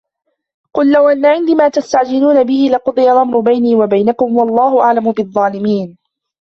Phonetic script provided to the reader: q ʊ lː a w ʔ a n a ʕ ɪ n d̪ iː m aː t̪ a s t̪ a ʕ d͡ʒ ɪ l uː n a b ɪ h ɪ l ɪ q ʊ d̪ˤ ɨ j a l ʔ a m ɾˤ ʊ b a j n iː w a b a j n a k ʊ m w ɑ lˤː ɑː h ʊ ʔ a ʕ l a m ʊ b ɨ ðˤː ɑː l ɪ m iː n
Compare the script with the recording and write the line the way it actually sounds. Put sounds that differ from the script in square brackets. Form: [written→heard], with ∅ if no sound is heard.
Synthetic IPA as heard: q ʊ lː a w ʔ a [n→nː] a ʕ ɪ n d̪ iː m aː t̪ a s t̪ a ʕ d͡ʒ ɪ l uː n a b ɪ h ɪ l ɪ q ʊ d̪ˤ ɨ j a l ʔ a m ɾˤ ʊ b a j n iː w a b a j n a k ʊ m w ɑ lˤː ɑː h ʊ ʔ a ʕ l a m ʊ b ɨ ðˤː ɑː l ɪ m iː n